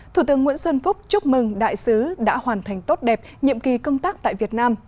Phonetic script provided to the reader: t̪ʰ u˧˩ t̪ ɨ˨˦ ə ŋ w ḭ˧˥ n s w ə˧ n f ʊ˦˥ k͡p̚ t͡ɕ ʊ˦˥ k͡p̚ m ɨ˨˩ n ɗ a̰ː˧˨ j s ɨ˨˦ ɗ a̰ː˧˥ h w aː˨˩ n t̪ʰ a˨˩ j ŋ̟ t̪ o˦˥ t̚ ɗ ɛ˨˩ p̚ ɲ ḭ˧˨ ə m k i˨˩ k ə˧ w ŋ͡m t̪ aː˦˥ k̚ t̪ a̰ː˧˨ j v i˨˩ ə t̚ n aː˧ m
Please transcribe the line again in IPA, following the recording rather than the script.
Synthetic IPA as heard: t̪ʰ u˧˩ t̪ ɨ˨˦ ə ŋ w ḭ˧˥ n s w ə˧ n f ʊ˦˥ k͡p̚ t͡ɕ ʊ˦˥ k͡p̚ m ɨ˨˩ ŋ ɗ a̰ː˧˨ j s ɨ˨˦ ɗ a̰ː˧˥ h w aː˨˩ n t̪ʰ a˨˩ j ŋ̟ t̪ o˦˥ t̚ ɗ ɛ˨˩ p̚ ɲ ḭ˧˨ ə m k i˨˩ k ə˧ w ŋ͡m t̪ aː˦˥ k̚ t̪ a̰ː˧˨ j v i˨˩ ə t̚ n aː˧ m